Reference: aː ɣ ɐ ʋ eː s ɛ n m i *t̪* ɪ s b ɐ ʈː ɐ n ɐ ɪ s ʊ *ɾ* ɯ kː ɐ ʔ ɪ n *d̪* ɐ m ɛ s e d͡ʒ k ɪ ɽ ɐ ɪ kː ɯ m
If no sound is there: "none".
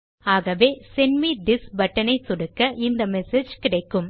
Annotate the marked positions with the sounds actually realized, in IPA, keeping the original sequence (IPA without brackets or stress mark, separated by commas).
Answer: d̪, ɽ, d̪